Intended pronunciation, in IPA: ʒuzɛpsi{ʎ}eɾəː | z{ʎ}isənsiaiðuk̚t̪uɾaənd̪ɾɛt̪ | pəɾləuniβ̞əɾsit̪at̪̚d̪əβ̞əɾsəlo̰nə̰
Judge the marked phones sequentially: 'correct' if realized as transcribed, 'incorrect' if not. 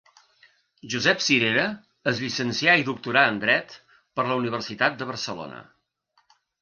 incorrect, correct

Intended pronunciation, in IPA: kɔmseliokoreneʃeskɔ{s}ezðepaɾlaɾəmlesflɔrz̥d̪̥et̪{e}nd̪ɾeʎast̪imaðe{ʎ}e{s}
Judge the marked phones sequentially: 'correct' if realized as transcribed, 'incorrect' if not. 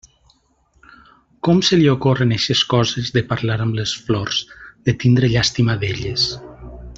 incorrect, incorrect, correct, correct

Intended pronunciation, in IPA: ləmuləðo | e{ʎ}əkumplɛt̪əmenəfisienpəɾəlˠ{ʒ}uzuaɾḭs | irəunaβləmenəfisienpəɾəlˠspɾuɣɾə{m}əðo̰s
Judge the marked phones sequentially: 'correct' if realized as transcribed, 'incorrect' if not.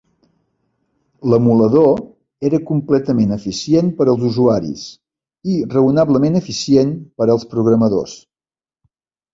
incorrect, incorrect, correct

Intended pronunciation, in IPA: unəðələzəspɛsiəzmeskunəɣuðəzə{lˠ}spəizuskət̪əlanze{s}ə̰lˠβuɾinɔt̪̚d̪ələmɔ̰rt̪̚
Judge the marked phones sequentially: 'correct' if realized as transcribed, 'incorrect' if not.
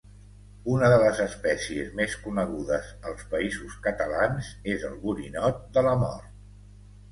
correct, incorrect

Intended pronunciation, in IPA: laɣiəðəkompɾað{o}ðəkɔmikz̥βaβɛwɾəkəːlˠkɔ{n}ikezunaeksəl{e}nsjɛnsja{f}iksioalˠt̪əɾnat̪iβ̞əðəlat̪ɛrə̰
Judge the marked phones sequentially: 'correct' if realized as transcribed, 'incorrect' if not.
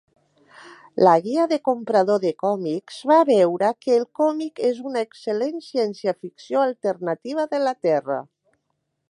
correct, incorrect, correct, correct

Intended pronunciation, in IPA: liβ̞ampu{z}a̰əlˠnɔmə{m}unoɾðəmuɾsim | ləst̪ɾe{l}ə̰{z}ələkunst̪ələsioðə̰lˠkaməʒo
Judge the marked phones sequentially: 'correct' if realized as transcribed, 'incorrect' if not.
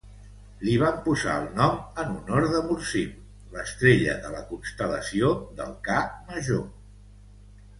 correct, incorrect, incorrect, incorrect

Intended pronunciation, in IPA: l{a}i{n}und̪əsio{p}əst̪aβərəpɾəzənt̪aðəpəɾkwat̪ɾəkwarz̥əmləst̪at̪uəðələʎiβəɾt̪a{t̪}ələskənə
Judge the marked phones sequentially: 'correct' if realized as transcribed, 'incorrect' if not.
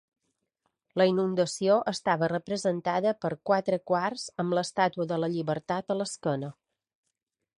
incorrect, correct, incorrect, correct

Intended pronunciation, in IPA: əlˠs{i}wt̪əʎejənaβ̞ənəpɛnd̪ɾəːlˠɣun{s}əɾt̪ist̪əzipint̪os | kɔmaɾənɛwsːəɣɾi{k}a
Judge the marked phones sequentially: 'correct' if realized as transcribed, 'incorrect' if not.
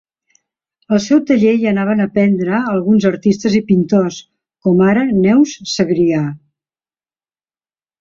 incorrect, incorrect, incorrect

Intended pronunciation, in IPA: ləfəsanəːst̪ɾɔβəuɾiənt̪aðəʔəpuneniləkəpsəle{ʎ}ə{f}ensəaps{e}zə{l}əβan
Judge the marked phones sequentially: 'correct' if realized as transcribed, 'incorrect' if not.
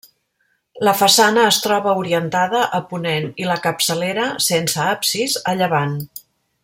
incorrect, incorrect, incorrect, incorrect

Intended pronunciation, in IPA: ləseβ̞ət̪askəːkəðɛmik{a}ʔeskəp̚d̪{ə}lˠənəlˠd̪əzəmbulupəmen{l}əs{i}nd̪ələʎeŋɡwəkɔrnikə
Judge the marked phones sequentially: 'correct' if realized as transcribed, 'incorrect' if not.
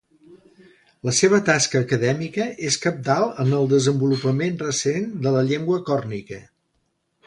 incorrect, incorrect, incorrect, incorrect

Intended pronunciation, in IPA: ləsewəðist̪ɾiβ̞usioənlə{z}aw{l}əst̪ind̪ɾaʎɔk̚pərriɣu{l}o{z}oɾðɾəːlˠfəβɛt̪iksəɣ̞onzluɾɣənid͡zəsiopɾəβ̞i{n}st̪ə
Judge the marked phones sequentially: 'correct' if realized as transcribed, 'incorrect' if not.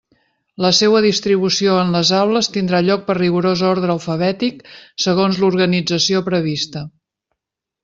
correct, correct, incorrect, correct, incorrect

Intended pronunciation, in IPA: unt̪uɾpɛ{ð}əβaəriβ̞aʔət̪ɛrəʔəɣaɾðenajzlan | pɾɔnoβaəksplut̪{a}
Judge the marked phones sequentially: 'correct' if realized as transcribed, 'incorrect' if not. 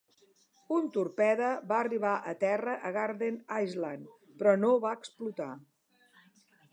correct, correct

